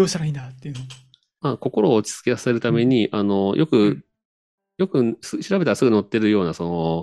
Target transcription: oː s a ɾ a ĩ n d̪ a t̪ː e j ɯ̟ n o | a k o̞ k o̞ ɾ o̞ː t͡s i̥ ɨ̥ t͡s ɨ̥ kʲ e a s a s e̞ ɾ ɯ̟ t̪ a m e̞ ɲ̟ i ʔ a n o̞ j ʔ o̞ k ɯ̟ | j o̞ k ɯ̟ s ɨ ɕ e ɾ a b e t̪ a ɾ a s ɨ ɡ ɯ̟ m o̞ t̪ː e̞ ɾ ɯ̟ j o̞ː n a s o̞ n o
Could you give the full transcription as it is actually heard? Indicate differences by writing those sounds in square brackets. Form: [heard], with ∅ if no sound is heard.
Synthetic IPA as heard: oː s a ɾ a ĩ n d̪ a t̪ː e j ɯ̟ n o | a k o̞ k o̞ ɾ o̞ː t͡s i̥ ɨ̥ t͡s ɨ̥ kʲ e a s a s e̞ ɾ ɯ̟ t̪ a m e̞ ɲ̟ i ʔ a n o̞ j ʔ o̞ k ɯ̟ | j o̞ k ɯ̟ s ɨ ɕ [i] ɾ a b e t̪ a ɾ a s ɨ ɡ ɯ̟ [n] o̞ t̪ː e̞ ɾ ɯ̟ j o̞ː n a s o̞ n o